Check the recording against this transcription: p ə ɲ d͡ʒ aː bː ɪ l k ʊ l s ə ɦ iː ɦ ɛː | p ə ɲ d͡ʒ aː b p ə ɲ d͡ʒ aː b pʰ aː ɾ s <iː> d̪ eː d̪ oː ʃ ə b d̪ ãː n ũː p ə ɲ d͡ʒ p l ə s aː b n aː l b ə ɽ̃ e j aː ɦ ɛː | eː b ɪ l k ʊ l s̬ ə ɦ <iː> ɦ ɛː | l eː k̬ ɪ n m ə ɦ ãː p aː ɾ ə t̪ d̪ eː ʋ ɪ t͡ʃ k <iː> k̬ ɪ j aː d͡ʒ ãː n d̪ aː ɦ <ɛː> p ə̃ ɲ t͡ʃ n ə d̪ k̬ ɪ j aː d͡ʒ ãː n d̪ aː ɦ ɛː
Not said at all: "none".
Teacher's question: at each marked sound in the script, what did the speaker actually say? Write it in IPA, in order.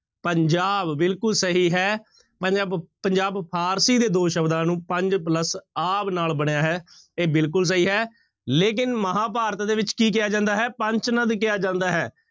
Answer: iː, iː, iː, ɛː

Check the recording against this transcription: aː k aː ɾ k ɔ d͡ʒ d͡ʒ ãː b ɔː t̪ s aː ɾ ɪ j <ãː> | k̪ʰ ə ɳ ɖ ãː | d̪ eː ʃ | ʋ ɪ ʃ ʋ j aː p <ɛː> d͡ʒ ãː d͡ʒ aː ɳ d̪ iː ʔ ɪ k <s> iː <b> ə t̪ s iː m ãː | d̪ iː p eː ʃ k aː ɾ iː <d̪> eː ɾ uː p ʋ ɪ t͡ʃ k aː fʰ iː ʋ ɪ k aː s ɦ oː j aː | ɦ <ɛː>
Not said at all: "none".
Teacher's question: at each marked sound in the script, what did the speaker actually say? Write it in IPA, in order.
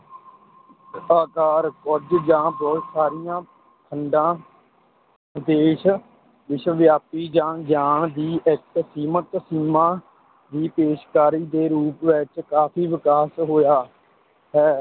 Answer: ãː, iː, s, m, d̪, ɛː

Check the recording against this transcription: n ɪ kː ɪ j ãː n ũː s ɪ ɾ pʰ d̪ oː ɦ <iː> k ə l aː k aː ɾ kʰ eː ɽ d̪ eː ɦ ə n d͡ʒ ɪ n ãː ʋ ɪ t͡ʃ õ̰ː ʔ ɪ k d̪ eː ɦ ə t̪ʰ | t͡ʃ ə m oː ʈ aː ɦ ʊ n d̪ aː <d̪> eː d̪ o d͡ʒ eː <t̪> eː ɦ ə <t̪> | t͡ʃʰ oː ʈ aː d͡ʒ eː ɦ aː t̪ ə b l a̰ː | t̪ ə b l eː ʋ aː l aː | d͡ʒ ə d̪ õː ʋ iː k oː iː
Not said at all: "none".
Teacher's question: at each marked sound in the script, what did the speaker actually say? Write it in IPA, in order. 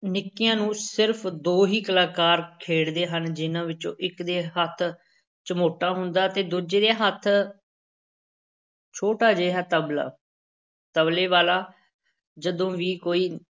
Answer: iː, t̪, d̪, t̪ʰ

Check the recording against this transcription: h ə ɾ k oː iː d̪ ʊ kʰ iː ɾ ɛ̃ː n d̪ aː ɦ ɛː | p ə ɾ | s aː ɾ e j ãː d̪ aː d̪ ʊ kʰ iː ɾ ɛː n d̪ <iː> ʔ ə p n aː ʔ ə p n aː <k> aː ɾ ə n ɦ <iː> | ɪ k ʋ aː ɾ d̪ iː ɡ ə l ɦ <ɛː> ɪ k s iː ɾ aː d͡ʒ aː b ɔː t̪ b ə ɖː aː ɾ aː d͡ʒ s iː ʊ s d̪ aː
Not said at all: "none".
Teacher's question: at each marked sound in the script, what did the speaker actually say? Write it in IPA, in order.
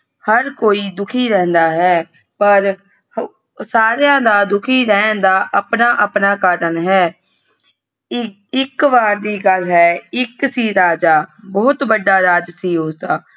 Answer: aː, k, ɛː, ɛː

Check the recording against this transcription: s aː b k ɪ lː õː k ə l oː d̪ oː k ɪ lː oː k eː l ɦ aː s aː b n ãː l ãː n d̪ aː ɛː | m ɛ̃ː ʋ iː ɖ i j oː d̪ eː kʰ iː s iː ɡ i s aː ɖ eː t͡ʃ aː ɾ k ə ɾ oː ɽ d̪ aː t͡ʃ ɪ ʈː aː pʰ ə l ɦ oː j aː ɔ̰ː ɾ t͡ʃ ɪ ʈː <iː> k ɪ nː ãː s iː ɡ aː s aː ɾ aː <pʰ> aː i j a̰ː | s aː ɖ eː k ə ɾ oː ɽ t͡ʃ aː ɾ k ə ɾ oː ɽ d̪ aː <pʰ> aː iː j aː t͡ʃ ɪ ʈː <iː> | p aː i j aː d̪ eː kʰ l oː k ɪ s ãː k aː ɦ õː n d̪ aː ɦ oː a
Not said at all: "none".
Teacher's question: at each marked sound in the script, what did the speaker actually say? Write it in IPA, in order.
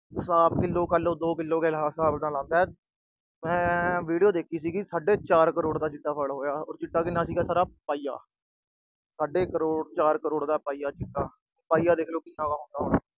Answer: aː, p, p, aː

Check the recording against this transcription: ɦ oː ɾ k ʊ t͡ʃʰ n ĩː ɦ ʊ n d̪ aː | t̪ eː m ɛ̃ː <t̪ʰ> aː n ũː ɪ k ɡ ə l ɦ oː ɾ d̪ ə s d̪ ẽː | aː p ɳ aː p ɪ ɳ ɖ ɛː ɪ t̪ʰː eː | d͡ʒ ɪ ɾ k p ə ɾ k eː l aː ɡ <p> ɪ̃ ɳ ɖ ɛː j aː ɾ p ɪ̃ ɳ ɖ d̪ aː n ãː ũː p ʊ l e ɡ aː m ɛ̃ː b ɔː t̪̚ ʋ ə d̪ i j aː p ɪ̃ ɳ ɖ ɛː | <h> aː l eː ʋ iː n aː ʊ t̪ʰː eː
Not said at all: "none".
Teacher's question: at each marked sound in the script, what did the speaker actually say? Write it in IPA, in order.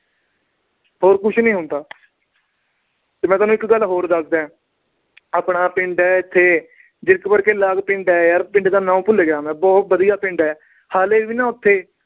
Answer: t̪, p, h

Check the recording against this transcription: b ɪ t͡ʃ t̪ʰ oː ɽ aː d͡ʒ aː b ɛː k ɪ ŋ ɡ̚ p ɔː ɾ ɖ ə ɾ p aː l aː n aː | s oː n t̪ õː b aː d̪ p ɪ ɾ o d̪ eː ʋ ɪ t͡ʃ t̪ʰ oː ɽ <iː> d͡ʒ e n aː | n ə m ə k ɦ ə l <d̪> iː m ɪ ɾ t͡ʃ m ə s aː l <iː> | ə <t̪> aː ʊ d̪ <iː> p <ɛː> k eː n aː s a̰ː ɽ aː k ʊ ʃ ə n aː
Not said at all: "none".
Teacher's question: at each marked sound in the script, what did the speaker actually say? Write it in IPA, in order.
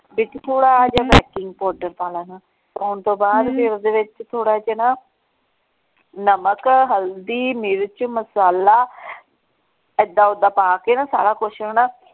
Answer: aː, d̪, aː, d̪, aː, aː

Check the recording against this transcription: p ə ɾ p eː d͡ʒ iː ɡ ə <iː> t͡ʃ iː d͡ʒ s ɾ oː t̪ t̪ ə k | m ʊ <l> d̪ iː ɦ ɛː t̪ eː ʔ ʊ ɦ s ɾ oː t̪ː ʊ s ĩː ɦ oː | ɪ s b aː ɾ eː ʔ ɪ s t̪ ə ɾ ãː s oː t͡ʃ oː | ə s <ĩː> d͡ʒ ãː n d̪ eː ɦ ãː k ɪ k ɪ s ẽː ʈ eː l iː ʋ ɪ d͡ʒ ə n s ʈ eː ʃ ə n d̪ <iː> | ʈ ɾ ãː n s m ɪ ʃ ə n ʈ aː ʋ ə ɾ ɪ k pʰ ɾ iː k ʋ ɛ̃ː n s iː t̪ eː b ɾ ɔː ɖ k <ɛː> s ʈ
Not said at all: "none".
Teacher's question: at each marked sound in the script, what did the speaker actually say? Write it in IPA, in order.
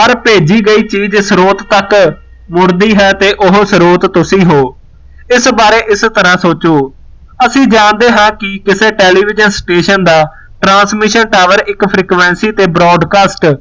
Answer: iː, ɾ, ĩː, aː, aː

